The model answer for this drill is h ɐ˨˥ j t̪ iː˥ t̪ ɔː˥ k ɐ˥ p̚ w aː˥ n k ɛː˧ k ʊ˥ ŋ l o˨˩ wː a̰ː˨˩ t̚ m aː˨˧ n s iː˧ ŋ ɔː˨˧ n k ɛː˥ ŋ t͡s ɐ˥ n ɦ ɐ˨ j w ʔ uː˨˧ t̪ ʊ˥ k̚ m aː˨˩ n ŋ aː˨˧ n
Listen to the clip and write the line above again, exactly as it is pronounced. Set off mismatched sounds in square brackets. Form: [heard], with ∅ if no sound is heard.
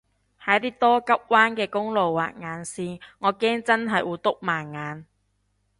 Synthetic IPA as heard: h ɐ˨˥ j t̪ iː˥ t̪ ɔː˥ k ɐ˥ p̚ w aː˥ n k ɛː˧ k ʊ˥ ŋ l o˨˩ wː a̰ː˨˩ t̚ [ŋ] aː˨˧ n s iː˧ ŋ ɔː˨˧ [∅] k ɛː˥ ŋ t͡s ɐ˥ n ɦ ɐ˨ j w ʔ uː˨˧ t̪ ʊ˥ k̚ m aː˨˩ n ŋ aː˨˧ n

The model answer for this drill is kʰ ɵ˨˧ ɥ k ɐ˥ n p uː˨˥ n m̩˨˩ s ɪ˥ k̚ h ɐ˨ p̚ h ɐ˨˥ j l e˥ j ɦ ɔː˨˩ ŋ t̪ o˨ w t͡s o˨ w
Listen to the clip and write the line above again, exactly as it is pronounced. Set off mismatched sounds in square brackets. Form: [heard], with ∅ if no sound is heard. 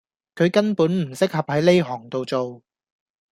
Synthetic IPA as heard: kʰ ɵ˨˧ ɥ k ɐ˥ n p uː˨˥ n m̩˨˩ s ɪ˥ k̚ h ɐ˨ p̚ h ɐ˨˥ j l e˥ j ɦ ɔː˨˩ ŋ t̪ o˨ w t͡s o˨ w

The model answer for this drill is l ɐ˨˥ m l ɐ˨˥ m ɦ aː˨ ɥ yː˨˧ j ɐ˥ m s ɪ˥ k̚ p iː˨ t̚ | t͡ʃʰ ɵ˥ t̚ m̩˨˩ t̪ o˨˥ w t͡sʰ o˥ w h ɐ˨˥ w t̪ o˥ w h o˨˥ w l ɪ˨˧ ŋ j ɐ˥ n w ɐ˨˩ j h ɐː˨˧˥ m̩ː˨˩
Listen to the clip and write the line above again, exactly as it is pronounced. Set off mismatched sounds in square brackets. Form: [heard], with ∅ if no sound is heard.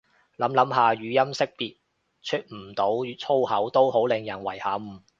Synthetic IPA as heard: l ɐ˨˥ m l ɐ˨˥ m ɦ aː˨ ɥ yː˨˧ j ɐ˥ m s ɪ˥ k̚ p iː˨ t̚ | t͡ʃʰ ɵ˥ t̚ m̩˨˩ t̪ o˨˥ w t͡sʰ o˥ w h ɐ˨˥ w t̪ o˥ w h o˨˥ w l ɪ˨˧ ŋ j [ɐ˨˩] n w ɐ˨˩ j h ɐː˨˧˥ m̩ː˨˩

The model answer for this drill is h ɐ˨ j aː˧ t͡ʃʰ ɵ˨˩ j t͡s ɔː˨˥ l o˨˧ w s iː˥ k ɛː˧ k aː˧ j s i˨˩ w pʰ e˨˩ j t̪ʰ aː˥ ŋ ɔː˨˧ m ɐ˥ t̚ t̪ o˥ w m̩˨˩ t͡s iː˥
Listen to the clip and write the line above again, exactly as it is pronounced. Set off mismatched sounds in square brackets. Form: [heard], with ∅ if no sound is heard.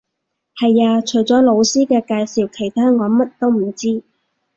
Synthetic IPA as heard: h ɐ˨ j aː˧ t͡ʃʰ ɵ˨˩ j t͡s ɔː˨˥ l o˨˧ w s iː˥ k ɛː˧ k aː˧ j s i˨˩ w [kʰ] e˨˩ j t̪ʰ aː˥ ŋ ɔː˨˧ m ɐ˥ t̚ t̪ o˥ w m̩˨˩ t͡s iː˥

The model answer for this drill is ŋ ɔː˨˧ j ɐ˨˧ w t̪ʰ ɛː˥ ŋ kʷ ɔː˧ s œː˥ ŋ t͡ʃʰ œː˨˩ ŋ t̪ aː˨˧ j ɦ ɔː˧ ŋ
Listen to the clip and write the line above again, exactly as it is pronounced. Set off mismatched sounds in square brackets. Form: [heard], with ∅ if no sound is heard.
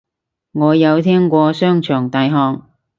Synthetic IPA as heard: ŋ ɔː˨˧ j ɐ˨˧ w t̪ʰ ɛː˥ ŋ kʷ ɔː˧ s œː˥ ŋ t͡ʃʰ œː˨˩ ŋ t̪ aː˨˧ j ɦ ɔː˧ ŋ

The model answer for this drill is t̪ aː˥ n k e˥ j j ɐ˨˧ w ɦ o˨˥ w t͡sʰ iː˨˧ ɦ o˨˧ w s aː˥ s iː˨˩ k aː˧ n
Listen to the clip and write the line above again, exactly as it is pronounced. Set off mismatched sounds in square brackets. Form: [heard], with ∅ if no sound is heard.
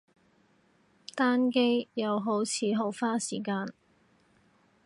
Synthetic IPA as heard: t̪ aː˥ n k e˥ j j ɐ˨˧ w ɦ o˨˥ w t͡sʰ iː˨˧ ɦ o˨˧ w [f] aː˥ s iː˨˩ k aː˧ n

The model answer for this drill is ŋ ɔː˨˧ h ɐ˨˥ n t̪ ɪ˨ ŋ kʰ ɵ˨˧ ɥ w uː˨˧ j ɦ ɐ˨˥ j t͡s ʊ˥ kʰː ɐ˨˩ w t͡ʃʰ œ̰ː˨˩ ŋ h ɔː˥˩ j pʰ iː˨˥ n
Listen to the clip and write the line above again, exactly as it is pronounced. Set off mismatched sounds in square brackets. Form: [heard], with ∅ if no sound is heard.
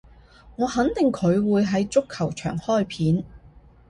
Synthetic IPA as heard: ŋ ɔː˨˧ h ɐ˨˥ n t̪ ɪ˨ ŋ kʰ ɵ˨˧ ɥ w uː˨˧ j ɦ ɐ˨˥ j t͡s ʊ˥ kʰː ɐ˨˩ w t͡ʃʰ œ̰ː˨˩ ŋ h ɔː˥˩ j pʰ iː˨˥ n

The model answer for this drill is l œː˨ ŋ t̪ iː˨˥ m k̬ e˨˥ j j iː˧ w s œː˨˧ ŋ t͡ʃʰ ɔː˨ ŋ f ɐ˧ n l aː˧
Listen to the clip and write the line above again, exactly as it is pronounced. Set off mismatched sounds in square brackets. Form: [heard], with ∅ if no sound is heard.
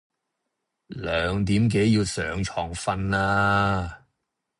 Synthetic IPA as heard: l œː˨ ŋ t̪ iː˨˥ m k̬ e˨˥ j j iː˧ w s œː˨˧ ŋ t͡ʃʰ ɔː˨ ŋ f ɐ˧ n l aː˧

